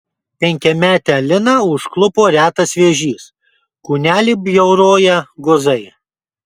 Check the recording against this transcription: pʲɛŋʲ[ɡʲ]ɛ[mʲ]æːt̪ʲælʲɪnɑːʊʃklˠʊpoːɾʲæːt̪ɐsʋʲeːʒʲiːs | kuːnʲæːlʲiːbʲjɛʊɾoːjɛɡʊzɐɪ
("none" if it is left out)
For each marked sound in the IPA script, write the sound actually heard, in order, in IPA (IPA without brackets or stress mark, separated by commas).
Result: kʲ, mʲ